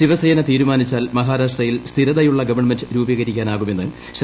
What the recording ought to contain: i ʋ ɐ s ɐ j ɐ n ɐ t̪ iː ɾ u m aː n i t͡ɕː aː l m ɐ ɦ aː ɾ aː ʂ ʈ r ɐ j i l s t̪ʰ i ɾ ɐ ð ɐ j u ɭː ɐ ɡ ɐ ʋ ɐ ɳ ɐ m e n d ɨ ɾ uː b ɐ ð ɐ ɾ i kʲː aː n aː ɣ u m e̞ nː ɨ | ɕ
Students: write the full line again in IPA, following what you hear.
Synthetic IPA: i ʋ ɐ s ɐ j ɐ n ɐ t̪ iː ɾ u m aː n i t͡ɕː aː l m ɐ ɦ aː ɾ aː ʂ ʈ r ɐ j i l s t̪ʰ i ɾ ɐ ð ɐ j u ɭː ɐ ɡ ɐ ʋ ɐ ɳ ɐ m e n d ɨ ɾ uː b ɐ ɣ ɐ ɾ i kʲː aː n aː ɣ u m e̞ nː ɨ | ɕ